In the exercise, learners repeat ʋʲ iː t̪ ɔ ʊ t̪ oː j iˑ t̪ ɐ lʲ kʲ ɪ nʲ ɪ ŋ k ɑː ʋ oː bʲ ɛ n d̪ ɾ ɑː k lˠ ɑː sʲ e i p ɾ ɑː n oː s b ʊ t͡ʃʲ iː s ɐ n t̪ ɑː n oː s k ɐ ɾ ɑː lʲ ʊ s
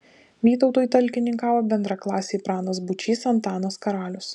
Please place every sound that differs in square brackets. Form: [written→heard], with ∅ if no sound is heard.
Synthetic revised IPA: ʋʲ iː t̪ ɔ ʊ t̪ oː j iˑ t̪ ɐ lʲ kʲ ɪ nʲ ɪ ŋ k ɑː ʋ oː bʲ ɛ n d̪ ɾ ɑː k lˠ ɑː sʲ e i p ɾ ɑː n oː s b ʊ t͡ʃʲ iː s ɐ n t̪ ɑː n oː s k ɐ ɾ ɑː lʲ ʊ s